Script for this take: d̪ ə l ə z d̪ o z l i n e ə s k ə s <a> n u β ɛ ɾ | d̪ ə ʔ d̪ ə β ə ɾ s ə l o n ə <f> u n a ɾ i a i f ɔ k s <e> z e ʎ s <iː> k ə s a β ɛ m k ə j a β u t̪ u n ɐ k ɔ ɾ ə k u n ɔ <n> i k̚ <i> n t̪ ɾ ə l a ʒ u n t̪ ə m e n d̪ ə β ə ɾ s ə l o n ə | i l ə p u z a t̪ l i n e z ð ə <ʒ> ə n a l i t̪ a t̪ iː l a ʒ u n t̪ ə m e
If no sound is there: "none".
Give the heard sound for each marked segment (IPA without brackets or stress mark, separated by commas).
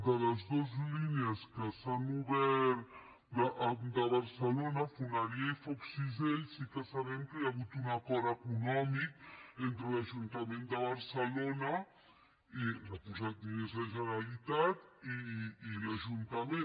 a, f, i, i, m, e, ʒ